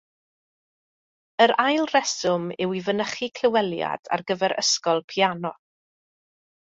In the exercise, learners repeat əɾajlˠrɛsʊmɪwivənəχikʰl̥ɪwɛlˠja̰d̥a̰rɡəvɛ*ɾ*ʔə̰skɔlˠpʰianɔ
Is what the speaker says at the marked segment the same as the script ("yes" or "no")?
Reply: yes